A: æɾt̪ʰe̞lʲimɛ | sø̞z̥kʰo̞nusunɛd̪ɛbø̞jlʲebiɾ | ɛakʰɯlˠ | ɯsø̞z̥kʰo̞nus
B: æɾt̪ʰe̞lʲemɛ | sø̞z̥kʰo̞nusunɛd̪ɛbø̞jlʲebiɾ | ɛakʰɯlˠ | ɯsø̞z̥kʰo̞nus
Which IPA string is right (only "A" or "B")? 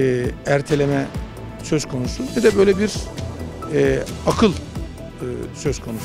B